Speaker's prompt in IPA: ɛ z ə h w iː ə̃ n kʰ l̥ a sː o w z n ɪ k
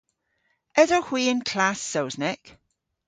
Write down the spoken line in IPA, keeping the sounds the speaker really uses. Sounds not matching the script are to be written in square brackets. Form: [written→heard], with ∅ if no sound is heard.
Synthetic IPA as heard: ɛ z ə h w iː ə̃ n kʰ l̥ a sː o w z n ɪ k